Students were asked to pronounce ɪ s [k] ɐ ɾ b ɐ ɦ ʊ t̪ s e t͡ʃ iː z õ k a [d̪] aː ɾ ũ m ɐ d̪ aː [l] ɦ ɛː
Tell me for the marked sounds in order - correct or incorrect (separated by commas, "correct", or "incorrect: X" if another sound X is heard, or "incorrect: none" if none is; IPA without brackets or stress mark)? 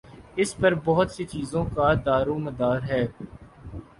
incorrect: p, correct, incorrect: ɾ